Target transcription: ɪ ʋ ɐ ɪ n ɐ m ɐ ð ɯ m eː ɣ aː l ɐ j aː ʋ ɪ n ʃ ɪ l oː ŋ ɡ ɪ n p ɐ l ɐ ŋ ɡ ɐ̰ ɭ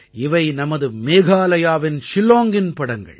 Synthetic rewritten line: ɪ ʋ ɐ ɪ n ɐ m ɐ ð ɯ m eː ɣ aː l ɐ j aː ʋ ɪ n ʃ ɪ l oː ŋ ɡ ɪ n p ɐ ɽ ɐ ŋ ɡ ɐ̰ ɭ